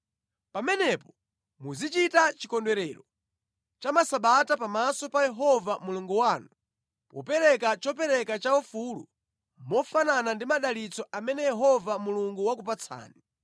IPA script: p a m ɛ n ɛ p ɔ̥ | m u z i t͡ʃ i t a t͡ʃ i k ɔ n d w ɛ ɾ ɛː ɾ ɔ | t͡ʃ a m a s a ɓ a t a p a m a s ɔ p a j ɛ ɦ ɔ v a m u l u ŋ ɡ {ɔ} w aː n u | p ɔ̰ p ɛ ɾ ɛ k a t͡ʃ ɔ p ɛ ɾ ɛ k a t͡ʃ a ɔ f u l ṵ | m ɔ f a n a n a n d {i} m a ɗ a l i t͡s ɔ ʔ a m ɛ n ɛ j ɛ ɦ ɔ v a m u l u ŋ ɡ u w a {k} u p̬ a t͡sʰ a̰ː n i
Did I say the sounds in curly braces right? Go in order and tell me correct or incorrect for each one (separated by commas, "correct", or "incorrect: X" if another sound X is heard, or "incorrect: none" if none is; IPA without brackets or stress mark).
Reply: incorrect: u, correct, correct